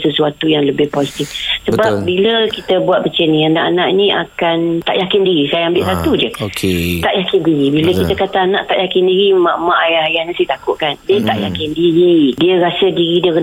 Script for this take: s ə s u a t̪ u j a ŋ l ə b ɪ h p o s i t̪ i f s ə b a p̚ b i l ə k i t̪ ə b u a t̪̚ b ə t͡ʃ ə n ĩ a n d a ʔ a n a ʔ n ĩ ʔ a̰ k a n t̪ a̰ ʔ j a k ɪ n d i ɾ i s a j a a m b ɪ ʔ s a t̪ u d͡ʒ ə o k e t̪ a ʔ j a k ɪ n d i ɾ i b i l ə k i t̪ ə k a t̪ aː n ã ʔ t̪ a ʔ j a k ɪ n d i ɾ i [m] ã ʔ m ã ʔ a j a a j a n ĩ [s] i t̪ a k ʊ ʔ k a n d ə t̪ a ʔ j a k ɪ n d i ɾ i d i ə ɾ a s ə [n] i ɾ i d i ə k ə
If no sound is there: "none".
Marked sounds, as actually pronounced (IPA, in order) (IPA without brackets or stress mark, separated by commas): m, s, d